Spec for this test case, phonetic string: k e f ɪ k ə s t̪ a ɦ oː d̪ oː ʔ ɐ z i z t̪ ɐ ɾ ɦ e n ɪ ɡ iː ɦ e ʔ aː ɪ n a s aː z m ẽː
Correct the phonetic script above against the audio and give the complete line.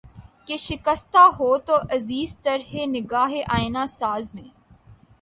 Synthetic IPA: k e ʃ ɪ k ə s t̪ a ɦ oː t̪ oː ʔ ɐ z iː z t̪ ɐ ɾ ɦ e n ɪ ɡ aː ɦ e ʔ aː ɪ n a s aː z m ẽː

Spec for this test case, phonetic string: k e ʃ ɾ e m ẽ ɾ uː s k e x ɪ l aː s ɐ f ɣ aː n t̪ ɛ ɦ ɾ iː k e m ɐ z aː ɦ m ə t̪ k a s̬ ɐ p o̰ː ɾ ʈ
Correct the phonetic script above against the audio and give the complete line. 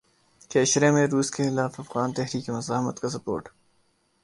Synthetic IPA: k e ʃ ɾ e m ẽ ɾ uː s k e x ɪ l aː f ɐ f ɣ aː n t̪ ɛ ɦ ɾ iː k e m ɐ z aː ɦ m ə t̪ k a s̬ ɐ p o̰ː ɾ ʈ

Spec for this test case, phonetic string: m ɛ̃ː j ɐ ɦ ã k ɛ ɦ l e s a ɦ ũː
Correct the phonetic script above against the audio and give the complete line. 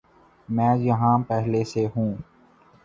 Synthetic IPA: m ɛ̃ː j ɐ ɦ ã p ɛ ɦ l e s e ɦ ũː

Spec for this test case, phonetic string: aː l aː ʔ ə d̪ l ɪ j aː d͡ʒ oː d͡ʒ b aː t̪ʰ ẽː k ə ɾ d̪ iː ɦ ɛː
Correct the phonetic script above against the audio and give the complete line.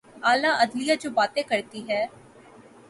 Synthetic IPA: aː l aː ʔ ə d̪ l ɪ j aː d͡ʒ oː b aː t̪ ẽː k ə ɾ t̪ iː ɦ ɛː

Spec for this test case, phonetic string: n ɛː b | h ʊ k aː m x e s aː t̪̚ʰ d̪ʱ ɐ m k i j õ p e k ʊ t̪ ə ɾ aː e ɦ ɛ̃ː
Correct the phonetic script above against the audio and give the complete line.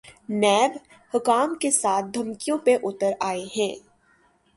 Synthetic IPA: n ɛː b | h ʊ k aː m k e s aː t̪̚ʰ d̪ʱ ɐ m k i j õ p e ʔ ʊ t̪ ə ɾ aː e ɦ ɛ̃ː

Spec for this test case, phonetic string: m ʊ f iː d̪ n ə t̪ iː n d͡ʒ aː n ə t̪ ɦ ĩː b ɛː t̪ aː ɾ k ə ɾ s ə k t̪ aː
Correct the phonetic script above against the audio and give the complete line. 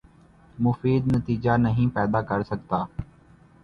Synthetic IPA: m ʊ f iː d̪ n ə t̪ iː d͡ʒ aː n ə ɦ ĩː p ɛː d̪ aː k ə ɾ s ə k t̪ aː

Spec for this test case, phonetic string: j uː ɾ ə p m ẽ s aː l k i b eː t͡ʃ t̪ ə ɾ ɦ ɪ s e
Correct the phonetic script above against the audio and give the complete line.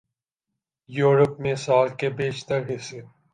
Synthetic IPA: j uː ɾ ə p m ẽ s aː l k e b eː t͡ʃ t̪ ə ɾ ɦ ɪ s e

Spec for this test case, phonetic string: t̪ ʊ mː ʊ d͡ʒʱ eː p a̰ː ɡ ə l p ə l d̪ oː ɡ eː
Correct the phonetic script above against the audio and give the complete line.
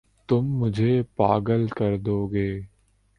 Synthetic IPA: t̪ ʊ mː ʊ d͡ʒʱ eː p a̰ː ɡ ə l k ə ɾ d̪ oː ɡ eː

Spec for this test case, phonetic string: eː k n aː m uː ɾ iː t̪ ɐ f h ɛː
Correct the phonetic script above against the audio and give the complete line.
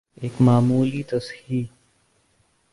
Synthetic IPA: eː k m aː m uː l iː t̪ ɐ s h iː

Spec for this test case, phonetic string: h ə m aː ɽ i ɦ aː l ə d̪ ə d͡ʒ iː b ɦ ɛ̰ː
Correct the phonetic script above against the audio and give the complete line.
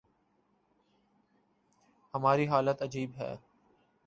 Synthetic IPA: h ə m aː ɾ i ɦ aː l ə t̪ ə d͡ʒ iː b ɦ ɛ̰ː

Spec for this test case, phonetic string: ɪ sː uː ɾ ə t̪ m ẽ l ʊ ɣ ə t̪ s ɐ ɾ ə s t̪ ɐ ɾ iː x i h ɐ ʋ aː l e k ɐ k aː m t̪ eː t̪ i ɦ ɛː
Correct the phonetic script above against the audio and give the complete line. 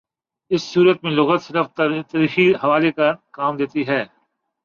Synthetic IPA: ɪ sː uː ɾ ə t̪ m ẽ l ʊ ɣ ə t̪ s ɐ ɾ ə f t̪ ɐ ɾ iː x i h ɐ ʋ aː l e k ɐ k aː m d̪ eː t̪ i ɦ ɛː

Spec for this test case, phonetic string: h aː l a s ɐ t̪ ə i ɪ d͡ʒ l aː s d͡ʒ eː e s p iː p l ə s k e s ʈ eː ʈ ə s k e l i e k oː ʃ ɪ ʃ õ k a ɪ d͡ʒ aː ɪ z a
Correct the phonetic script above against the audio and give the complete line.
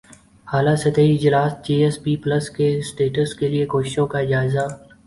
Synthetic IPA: h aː l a s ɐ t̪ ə i ɪ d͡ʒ l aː s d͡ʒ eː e s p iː p l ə s k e s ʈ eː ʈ ə s k e l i e k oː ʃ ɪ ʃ õ k a ɪ d͡ʒ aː ɪ z a

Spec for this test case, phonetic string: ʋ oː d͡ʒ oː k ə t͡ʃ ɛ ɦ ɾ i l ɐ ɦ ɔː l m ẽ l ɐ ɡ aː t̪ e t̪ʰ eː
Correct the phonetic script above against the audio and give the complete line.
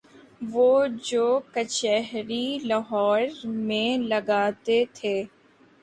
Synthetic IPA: ʋ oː d͡ʒ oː k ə t͡ʃ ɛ ɦ ɾ i l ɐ ɦ ɔː ɾ m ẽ l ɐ ɡ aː t̪ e t̪ʰ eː

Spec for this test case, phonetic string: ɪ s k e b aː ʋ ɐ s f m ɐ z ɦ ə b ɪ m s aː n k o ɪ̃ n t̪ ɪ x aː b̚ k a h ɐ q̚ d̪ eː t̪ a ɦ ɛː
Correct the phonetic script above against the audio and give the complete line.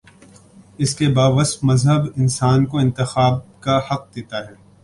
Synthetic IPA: ɪ s k e b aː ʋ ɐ s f m ɐ z ɦ ə b ɪ n s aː n k o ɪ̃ n t̪ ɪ x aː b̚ k a h ɐ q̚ d̪ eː t̪ a ɦ ɛː

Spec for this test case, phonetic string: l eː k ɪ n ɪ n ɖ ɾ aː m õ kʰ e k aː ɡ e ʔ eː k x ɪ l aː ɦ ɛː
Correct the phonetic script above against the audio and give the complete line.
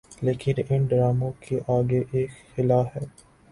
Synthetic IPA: l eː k ɪ n ɪ n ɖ ɾ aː m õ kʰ e ʔ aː ɡ e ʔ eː k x ɪ l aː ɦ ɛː

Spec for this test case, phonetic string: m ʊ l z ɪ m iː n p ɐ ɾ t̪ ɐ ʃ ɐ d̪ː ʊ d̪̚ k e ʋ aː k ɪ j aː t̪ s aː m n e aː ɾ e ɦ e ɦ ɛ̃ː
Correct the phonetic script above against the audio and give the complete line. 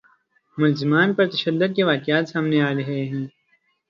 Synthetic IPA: m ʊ l z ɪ m aː n p ɐ ɾ t̪ ɐ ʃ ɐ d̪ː ʊ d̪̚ k e ʋ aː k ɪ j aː t̪ s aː m n e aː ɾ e ɦ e ɦ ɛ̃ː

